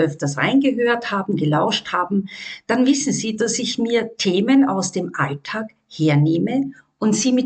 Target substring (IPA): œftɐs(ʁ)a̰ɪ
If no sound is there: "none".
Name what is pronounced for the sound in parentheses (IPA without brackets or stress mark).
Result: ʁ